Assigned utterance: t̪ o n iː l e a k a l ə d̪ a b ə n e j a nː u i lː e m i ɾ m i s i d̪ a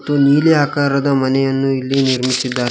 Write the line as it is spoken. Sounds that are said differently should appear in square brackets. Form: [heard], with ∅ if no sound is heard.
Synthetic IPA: t̪ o n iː l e a k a [ɾ] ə d̪ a [m] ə n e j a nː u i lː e [n] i ɾ m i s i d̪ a